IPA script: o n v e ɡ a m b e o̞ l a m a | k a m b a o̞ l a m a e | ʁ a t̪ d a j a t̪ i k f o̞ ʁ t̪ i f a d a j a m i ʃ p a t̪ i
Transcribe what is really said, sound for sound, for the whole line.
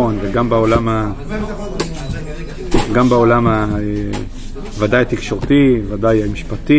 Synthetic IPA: o n v e ɡ a m b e o̞ l a m a | ɡ a m b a o̞ l a m a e | v a d a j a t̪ i k ʃ o̞ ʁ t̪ i v a d a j a m i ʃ p a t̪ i